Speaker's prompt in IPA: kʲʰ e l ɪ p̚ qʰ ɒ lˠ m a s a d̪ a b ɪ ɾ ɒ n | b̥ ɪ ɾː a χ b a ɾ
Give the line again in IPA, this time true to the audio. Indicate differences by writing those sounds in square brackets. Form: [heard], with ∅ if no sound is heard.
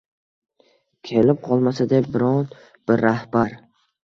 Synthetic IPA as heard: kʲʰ e l ɪ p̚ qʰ ɒ lˠ m a s a d̪ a b ɪ ɾ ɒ n | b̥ ɪ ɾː a [h] b a ɾ